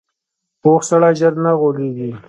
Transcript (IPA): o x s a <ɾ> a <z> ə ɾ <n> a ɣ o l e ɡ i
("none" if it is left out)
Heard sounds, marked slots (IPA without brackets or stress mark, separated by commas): ɽ, ʒ, n